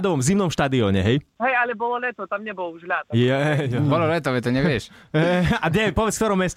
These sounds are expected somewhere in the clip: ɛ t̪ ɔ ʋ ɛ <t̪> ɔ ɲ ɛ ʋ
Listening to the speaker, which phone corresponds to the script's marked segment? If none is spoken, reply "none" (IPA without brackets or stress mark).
t̪